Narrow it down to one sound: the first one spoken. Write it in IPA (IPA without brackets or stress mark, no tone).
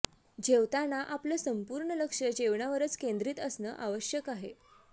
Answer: d͡ʑ